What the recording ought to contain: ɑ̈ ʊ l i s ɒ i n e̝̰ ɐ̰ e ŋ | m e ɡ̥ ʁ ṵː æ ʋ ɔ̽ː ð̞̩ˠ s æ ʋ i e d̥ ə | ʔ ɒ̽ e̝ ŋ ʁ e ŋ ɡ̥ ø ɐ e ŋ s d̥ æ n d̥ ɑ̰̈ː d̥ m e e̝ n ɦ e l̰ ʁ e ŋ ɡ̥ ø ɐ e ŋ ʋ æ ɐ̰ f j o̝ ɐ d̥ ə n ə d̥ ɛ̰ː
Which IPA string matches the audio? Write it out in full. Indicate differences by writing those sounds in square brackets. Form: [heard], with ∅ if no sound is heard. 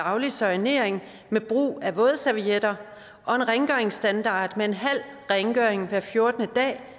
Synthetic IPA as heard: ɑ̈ ʊ l i s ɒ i n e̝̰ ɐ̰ e ŋ | m e [b̥] ʁ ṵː æ ʋ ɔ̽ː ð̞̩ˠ s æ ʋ i e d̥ [ɐ] | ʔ ɒ̽ e̝ [n] ʁ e ŋ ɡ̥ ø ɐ e ŋ s d̥ æ n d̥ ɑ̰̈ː d̥ m e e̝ n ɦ [æ] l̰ ʁ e ŋ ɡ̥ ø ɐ e ŋ ʋ æ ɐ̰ f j o̝ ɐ d̥ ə n ə d̥ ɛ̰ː